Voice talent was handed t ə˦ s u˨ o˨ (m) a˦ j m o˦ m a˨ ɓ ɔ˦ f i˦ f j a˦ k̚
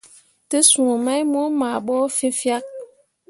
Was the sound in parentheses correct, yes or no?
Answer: yes